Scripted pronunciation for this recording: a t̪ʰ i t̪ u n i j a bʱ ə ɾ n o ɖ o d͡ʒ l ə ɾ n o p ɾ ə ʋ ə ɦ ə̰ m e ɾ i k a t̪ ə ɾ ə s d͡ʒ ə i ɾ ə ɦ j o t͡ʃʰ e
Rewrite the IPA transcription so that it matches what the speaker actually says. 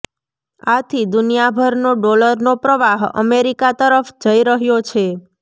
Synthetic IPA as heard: a t̪ʰ i d̪ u n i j a bʱ ə ɾ n o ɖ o l ə ɾ n o p ɾ ə ʋ a ɦ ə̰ m e ɾ i k a t̪ ə ɾ ə f d͡ʒ ə i ɾ ə ɦ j o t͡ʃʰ e